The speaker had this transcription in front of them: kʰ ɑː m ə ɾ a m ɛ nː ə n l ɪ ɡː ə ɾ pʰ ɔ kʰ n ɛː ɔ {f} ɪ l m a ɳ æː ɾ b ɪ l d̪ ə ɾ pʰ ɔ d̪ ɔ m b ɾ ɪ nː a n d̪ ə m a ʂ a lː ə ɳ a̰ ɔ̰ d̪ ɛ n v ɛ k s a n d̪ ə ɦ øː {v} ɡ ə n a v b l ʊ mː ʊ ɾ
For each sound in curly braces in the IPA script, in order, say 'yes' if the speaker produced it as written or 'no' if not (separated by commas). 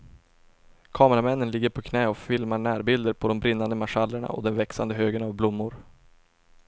yes, no